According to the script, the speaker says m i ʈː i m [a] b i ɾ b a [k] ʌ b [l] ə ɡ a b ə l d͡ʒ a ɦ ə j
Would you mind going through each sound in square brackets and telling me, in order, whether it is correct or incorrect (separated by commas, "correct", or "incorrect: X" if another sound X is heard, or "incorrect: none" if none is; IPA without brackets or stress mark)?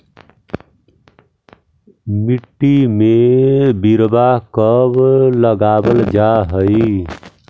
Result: incorrect: e, correct, correct